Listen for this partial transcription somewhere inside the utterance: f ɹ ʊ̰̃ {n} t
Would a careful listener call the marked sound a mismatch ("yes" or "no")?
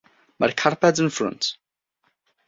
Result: no